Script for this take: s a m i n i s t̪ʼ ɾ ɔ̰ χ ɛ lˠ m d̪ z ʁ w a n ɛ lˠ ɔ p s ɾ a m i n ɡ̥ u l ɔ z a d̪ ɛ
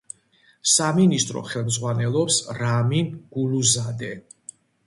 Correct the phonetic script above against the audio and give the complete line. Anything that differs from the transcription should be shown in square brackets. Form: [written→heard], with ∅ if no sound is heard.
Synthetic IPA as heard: s a m i n i s t̪ʼ ɾ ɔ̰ χ ɛ lˠ m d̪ z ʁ w a n ɛ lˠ ɔ p s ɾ a m i n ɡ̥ u l [ɔ→u] z a d̪ ɛ

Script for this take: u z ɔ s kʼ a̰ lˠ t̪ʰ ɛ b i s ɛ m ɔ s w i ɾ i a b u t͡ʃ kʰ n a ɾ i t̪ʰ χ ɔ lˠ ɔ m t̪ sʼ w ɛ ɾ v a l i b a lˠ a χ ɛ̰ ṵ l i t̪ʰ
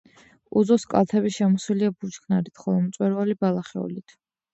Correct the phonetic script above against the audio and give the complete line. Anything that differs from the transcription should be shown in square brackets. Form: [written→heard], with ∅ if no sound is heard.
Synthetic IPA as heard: u z ɔ s kʼ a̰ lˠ t̪ʰ ɛ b i [s→ʃ] ɛ m ɔ s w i [ɾ→l] i a b u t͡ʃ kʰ n a ɾ i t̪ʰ χ ɔ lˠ ɔ m t̪ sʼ w ɛ ɾ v a l i b a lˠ a χ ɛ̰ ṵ l i t̪ʰ

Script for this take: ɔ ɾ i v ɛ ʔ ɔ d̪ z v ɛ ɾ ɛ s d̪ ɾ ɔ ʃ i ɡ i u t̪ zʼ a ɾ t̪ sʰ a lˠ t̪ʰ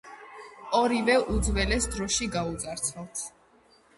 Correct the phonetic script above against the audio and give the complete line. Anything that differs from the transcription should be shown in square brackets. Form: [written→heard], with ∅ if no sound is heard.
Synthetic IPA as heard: ɔ ɾ i v ɛ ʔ [ɔ→u] d̪ z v ɛ [ɾ→l] ɛ s d̪ ɾ ɔ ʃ i ɡ [i→a] u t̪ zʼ a ɾ t̪ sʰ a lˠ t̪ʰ

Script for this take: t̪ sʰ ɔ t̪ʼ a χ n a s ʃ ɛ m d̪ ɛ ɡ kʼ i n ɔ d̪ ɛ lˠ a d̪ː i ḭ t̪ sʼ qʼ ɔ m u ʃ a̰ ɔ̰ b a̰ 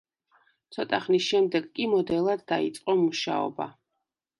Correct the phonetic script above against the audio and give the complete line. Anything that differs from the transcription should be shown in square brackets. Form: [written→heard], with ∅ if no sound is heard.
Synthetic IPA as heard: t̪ sʰ ɔ t̪ʼ a χ n [a→i] s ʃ ɛ m d̪ ɛ ɡ kʼ i [n→m] ɔ d̪ ɛ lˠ a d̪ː [i→a] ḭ t̪ sʼ qʼ ɔ m u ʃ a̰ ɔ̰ b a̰

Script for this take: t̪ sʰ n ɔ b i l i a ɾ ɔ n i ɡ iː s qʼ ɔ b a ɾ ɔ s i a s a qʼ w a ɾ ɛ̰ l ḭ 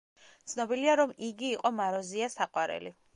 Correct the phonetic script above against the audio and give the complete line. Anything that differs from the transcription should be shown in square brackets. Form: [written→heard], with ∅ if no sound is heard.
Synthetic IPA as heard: t̪ sʰ n ɔ b i l i a ɾ ɔ [n→m] i ɡ iː [s→∅] qʼ ɔ [b→m] a ɾ ɔ [s→z] i a s a qʼ w a ɾ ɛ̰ l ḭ

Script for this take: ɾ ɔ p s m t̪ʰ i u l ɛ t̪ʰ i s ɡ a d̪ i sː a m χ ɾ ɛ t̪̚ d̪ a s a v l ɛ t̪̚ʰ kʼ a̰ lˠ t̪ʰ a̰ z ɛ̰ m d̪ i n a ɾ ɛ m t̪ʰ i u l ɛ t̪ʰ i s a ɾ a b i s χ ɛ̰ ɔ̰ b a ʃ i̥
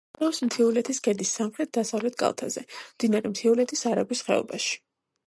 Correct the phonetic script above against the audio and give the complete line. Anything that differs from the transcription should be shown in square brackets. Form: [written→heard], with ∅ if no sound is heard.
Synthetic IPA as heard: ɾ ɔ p s m t̪ʰ i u l ɛ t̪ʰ i s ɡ [a→ɛ] d̪ i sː a m χ ɾ ɛ t̪̚ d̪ a s a v l ɛ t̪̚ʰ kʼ a̰ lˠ t̪ʰ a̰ z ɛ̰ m d̪ i n a ɾ ɛ m t̪ʰ i u l ɛ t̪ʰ i s a ɾ a b i s χ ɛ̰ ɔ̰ b a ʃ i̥

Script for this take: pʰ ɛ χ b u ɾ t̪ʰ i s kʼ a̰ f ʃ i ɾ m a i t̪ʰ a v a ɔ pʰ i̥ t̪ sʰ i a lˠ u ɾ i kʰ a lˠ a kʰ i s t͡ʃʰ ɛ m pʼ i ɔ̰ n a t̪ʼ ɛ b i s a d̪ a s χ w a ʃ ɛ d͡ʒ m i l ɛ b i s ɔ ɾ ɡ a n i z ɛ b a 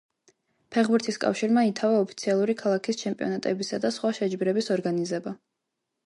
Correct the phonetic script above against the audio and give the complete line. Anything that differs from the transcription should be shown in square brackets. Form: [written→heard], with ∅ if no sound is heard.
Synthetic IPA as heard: pʰ ɛ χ b u ɾ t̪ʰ i s kʼ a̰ f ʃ i ɾ m a i t̪ʰ a v a ɔ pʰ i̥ t̪ sʰ i a lˠ u ɾ i kʰ a lˠ a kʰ i s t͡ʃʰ ɛ m pʼ i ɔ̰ n a t̪ʼ ɛ b i s a d̪ a s χ w a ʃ ɛ d͡ʒ [m→b] i [l→ɾ] ɛ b i s ɔ ɾ ɡ a n i z ɛ b a

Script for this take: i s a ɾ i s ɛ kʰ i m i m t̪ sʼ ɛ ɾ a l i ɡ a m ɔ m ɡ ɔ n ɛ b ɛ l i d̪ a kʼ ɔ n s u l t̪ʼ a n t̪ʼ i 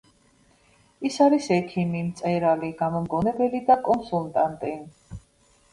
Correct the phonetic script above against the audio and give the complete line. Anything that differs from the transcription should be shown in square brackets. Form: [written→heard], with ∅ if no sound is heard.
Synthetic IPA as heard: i s a ɾ i s ɛ kʰ i m i m t̪ sʼ ɛ ɾ a l i ɡ a m ɔ m ɡ ɔ n ɛ b ɛ l i d̪ a kʼ ɔ n s u l t̪ʼ a n t̪ʼ i

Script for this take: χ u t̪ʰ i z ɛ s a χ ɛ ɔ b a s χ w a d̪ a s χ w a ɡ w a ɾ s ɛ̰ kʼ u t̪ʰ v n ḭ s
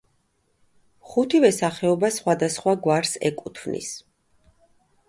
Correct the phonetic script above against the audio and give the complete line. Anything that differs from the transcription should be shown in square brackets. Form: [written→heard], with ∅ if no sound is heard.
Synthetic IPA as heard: χ u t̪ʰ i [z→v] ɛ s a χ ɛ ɔ b a s χ w a d̪ a s χ w a ɡ w a ɾ s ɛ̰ kʼ u t̪ʰ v n ḭ s

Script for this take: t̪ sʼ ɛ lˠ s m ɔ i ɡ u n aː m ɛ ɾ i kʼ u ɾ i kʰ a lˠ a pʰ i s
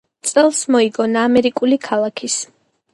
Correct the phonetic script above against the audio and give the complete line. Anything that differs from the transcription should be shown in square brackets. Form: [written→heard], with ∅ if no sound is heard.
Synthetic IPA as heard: t̪ sʼ ɛ lˠ s m ɔ i ɡ [u→ɔ] n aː m ɛ ɾ i kʼ u [ɾ→l] i kʰ a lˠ a [pʰ→kʰ] i s

